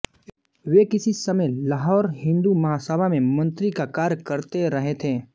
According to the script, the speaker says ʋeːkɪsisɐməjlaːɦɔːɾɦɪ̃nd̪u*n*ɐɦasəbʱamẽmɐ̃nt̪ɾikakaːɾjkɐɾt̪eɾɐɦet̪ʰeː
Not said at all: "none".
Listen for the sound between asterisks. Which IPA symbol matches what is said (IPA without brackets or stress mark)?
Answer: m